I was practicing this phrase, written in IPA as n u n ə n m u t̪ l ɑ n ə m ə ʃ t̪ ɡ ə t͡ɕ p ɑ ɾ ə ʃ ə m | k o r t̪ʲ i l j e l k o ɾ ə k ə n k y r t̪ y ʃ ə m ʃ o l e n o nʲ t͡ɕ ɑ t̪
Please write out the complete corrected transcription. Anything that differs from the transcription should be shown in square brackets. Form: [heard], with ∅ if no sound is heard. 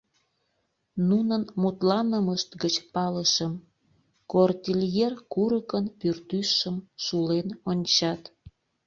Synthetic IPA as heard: n u n ə n m u t̪ l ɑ n ə m ə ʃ t̪ ɡ ə t͡ɕ p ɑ [l] ə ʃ ə m | k o r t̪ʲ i l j e [r] k [u] ɾ ə k ə n [p] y r t̪ y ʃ ə m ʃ [u] l e n o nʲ t͡ɕ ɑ t̪

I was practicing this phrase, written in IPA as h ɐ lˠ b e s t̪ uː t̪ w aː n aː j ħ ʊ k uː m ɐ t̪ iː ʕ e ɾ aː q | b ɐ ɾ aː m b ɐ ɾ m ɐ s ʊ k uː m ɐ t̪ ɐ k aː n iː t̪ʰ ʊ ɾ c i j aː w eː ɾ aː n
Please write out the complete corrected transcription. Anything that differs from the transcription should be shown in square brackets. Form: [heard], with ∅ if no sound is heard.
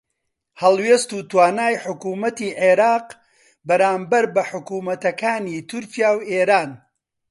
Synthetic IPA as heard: h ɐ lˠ [w] e s t̪ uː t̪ w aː n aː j ħ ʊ k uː m ɐ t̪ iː ʕ e ɾ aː q | b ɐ ɾ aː m b ɐ ɾ [b] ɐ [ħ] ʊ k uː m ɐ t̪ ɐ k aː n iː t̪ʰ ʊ ɾ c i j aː w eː ɾ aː n

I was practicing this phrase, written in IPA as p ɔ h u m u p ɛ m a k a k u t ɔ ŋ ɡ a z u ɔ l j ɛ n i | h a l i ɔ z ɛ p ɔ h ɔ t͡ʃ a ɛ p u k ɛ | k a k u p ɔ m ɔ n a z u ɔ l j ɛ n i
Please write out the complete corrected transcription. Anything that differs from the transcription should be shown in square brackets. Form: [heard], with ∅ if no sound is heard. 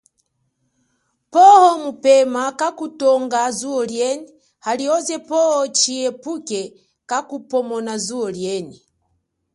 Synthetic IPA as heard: p ɔ h [ɔ] m u p ɛ m a k a k u t ɔ ŋ ɡ a z u ɔ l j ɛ n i | h a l i ɔ z ɛ p ɔ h ɔ t͡ʃ [i] ɛ p u k ɛ | k a k u p ɔ m ɔ n a z u ɔ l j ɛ n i

